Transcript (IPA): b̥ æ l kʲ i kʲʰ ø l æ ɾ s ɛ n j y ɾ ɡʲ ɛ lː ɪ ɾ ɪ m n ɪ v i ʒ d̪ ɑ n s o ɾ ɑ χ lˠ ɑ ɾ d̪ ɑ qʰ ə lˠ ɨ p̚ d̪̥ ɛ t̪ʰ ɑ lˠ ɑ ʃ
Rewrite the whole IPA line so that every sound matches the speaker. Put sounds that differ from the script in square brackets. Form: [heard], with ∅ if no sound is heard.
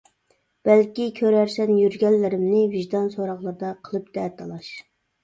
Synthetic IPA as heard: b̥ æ l kʲ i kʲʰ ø [ɾ] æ ɾ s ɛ n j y ɾ ɡʲ ɛ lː ɪ ɾ ɪ m n ɪ v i ʒ d̪ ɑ n s o ɾ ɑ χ lˠ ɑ ɾ d̪ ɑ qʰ ə lˠ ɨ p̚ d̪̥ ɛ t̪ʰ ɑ lˠ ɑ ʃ